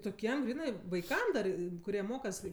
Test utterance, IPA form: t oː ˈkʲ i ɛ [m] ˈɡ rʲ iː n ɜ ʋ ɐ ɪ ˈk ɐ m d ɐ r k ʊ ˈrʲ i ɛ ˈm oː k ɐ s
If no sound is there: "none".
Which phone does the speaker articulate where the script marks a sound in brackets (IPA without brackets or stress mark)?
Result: m